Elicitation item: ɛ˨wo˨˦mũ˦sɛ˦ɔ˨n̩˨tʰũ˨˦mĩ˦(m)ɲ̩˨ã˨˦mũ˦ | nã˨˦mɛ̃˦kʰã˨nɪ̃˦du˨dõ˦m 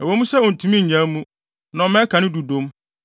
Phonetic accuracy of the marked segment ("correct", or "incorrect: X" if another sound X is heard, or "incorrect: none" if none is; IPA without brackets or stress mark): incorrect: none